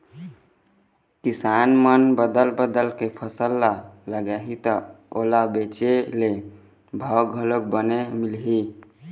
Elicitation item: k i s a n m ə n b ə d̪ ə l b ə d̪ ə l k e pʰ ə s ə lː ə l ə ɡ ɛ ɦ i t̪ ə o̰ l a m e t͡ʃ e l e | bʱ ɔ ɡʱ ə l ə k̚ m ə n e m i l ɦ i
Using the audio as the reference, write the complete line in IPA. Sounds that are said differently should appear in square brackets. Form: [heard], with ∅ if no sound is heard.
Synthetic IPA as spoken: k i s a n m ə n b ə d̪ ə l b ə d̪ ə l k e pʰ ə s ə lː [a] l ə ɡ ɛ ɦ i t̪ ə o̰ l a [b] e t͡ʃ e l e | bʱ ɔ ɡʱ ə l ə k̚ [b] ə n e m i l ɦ i